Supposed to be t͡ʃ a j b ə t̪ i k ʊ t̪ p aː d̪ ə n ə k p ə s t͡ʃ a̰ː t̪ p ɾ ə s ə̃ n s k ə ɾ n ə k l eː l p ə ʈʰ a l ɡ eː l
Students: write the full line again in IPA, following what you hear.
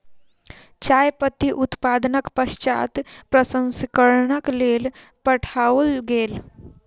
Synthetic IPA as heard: t͡ʃ a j p ə t̪ i ʔ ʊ t̪ p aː d̪ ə n ə k p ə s t͡ʃ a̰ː t̪ p ɾ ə s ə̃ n s k ə ɾ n ə k l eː l p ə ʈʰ a l ɡ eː l